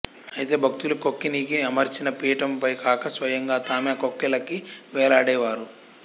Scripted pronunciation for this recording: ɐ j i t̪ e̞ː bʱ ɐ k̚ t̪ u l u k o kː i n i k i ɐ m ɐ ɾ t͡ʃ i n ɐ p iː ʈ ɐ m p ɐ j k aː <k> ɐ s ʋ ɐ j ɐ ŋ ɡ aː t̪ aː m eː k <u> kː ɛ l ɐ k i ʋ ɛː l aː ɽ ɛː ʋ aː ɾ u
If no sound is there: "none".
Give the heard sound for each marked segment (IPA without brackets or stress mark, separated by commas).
k, o